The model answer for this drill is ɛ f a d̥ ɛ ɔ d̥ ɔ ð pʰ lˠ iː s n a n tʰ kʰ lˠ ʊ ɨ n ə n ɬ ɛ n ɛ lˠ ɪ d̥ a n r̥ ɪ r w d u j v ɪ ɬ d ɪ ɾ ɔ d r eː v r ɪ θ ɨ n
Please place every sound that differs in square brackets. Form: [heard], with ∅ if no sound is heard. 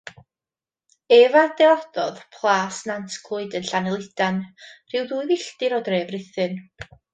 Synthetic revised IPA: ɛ [v] a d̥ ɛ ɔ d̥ ɔ ð pʰ lˠ [aː] s n a n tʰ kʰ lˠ ʊ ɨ [d] ə n ɬ [a] n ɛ lˠ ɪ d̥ a n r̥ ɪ [∅] w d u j v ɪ ɬ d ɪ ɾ ɔ d r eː v r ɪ θ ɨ n